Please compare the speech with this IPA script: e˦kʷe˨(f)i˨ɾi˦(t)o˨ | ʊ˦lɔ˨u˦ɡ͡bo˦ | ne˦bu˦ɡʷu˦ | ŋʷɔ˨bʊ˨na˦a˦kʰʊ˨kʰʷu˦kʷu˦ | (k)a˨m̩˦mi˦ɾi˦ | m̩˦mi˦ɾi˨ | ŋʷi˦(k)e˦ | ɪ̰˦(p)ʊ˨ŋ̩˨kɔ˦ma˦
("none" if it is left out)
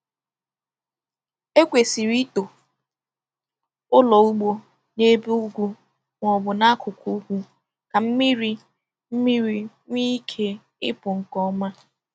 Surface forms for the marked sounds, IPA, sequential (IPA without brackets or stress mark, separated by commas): s, t, k, kʰ, p